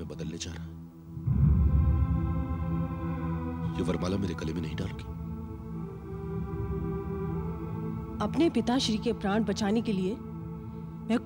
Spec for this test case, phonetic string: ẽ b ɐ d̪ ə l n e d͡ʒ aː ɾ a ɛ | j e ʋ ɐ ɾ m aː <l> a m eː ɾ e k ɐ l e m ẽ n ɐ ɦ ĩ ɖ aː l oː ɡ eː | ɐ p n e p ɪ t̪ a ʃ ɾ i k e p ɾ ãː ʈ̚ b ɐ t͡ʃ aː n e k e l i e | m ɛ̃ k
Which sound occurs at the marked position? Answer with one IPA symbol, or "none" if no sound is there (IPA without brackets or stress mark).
l